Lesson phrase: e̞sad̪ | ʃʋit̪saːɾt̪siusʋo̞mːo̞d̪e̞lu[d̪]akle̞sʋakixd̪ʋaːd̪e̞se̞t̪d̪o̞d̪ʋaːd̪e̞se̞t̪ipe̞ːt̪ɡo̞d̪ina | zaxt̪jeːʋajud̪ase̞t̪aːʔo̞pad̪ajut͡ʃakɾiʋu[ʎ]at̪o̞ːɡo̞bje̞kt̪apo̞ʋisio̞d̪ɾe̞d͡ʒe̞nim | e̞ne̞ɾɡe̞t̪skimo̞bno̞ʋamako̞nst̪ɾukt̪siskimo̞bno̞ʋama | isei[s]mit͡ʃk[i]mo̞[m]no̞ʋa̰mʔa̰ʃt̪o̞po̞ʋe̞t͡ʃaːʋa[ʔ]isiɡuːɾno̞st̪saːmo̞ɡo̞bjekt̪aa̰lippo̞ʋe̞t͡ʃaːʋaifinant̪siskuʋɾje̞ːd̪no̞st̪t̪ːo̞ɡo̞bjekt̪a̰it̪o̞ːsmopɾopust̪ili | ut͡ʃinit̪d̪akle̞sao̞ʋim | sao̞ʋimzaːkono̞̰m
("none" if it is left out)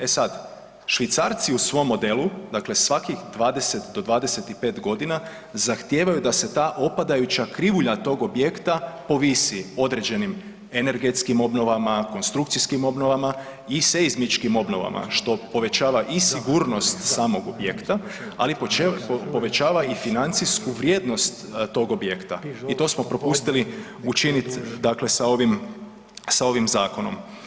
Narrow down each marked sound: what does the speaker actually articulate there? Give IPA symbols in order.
d̪, ʎ, z, i, b, ʔ

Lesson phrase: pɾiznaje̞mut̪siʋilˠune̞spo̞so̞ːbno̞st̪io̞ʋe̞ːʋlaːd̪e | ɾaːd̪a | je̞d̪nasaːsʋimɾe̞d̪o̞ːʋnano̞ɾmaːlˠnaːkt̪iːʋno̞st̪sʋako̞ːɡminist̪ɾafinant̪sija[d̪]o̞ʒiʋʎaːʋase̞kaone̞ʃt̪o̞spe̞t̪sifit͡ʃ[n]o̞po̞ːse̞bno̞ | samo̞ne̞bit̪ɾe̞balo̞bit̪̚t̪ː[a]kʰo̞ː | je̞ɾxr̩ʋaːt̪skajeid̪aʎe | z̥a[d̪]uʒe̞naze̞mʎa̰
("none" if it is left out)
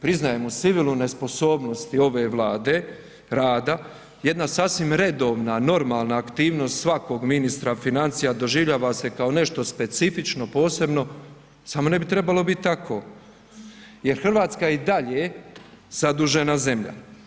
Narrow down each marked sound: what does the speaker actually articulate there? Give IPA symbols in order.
d̪, n, a, d̪

